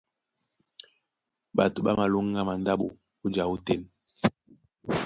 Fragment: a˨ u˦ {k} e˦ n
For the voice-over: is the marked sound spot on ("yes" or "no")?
no